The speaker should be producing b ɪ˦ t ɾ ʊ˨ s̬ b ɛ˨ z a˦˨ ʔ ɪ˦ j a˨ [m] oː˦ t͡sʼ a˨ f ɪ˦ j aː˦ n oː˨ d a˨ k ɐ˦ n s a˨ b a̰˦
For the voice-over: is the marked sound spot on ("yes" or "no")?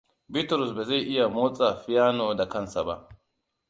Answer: yes